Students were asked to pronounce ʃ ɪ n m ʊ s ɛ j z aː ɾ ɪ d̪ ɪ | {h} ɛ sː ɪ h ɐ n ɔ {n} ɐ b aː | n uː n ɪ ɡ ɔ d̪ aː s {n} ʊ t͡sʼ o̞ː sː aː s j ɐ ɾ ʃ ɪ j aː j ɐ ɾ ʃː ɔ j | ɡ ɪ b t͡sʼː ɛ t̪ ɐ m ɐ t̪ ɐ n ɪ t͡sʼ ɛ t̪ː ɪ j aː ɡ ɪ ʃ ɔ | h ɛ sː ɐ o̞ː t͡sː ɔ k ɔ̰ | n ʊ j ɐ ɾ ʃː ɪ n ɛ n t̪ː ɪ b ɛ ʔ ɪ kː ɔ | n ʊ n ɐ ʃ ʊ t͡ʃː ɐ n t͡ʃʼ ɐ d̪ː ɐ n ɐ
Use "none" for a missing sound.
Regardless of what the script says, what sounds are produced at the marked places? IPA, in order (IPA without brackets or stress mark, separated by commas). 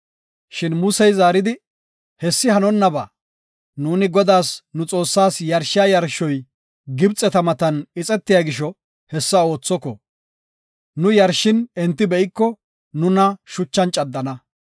h, nː, n